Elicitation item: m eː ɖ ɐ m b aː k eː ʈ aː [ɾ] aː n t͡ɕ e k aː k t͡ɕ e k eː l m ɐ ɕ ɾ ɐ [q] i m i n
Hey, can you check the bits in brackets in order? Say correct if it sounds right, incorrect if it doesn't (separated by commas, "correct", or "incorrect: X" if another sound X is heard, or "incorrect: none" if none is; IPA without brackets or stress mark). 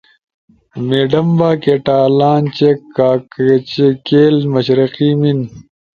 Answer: incorrect: l, correct